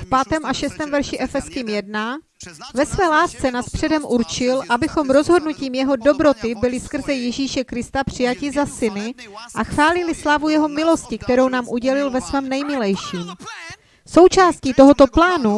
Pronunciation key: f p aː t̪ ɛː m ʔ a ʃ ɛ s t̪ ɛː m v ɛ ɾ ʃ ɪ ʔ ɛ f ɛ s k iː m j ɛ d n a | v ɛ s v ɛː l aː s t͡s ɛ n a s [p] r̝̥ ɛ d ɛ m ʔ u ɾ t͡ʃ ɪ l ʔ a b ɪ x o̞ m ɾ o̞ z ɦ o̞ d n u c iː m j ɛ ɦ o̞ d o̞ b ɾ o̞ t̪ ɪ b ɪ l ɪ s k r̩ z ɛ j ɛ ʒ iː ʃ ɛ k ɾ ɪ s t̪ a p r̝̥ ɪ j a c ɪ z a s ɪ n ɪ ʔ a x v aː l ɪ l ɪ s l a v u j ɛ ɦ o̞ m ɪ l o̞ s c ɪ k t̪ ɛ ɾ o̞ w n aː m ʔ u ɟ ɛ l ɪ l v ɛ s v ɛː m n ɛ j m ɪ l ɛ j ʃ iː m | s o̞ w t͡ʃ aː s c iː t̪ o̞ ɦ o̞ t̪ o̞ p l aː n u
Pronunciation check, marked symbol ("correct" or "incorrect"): correct